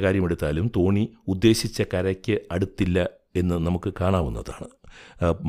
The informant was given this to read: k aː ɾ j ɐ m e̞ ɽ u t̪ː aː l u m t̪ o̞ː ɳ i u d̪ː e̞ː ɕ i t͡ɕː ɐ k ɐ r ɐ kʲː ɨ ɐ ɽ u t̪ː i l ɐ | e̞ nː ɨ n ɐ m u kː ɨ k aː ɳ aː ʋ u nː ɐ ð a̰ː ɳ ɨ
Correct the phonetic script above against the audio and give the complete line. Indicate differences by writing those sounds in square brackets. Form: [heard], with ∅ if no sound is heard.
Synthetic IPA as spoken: k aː ɾ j ɐ m e̞ ɽ u t̪ː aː l u m t̪ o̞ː ɳ i u d̪ː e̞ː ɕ i t͡ɕː ɐ k ɐ [ɾ] ɐ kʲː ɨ ɐ ɽ u t̪ː i [lː] ɐ | e̞ nː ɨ n ɐ m u kː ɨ k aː ɳ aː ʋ u nː ɐ ð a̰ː ɳ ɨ